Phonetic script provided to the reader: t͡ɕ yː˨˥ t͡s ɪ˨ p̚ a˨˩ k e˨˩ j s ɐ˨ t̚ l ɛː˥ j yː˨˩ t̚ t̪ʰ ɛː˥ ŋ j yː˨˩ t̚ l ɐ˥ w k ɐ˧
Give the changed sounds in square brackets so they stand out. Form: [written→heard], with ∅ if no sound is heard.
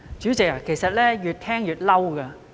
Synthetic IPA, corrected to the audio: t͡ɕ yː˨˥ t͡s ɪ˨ [p̚→k̚] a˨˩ k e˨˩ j s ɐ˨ t̚ l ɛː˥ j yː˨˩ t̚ t̪ʰ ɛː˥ ŋ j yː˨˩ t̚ l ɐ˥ w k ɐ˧

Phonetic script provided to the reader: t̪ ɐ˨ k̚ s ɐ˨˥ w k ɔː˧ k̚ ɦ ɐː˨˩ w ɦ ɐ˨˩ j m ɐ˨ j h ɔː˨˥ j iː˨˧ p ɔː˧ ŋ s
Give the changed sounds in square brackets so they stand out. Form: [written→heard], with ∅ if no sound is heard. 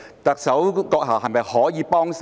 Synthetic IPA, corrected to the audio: t̪ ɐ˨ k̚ s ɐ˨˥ w k ɔː˧ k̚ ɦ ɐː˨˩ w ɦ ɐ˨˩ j m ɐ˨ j h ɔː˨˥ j iː˨˧ p [ɔː˧→ɔː˥] ŋ s

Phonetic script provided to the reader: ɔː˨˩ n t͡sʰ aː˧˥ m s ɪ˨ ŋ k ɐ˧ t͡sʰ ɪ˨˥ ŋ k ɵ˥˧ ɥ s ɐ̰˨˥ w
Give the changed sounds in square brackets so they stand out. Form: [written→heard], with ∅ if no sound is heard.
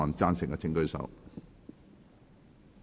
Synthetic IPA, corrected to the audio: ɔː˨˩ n [t͡sʰ→t͡s] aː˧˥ [m→n] s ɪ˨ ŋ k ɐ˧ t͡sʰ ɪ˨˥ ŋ k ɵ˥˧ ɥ s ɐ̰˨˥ w

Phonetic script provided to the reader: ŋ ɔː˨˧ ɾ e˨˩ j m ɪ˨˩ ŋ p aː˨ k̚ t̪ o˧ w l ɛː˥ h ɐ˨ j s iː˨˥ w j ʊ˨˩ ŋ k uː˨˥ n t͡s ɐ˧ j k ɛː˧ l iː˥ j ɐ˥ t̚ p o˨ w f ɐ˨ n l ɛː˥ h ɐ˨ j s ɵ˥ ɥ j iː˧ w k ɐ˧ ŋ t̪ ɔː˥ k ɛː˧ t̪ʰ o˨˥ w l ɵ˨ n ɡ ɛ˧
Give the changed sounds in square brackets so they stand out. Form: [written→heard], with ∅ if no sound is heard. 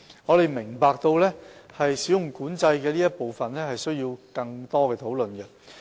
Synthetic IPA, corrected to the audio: ŋ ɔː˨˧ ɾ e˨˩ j m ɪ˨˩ ŋ p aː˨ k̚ t̪ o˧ w l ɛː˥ h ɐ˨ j s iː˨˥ w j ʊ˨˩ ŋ k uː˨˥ n t͡s ɐ˧ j k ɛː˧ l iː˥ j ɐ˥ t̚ p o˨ w f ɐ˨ n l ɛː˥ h ɐ˨ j s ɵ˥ ɥ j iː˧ w k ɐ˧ ŋ t̪ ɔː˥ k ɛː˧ t̪ʰ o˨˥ w l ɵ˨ n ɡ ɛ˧

